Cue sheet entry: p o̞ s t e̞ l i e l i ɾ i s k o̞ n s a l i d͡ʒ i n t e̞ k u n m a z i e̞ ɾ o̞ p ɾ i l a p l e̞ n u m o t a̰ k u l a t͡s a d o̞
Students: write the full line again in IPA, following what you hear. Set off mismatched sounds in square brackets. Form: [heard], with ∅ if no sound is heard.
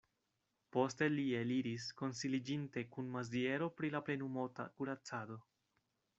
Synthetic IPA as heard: p o̞ s t e̞ l i e l i ɾ i s k o̞ n s [i] l i d͡ʒ i n t e̞ k u n m a z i e̞ ɾ o̞ p ɾ i l a p l e̞ n u m o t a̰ k u [ɾ] a t͡s a d o̞